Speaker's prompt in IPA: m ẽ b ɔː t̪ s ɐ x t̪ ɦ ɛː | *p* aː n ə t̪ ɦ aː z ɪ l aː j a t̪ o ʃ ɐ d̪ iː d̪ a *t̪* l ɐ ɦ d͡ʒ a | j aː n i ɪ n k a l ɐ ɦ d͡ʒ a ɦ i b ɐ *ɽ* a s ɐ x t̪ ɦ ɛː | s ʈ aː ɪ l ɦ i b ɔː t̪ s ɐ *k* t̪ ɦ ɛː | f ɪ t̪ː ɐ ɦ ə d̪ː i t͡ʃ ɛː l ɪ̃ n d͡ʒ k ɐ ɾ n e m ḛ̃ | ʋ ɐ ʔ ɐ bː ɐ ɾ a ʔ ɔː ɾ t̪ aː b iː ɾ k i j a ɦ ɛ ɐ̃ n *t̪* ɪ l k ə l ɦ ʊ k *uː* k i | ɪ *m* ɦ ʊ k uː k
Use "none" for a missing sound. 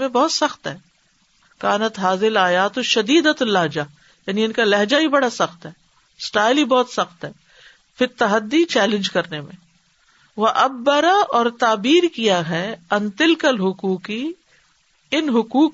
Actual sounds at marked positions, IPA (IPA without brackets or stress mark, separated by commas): k, t̪, ɽ, x, t̪, uː, n